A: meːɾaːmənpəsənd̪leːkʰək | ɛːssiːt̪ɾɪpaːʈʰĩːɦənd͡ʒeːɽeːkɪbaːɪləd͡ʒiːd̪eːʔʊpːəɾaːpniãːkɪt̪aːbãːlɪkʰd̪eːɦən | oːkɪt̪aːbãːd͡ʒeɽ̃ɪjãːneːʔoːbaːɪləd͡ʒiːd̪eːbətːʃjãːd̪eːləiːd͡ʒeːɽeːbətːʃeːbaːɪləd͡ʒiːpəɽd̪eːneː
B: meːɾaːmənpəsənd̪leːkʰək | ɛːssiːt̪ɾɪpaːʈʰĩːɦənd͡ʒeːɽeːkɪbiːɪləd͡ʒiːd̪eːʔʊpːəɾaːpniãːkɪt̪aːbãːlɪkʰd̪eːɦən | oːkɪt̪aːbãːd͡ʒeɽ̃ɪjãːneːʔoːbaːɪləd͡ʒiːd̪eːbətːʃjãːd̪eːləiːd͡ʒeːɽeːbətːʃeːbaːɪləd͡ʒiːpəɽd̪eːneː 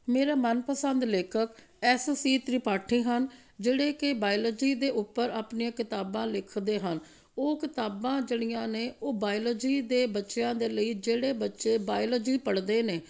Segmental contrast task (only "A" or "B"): A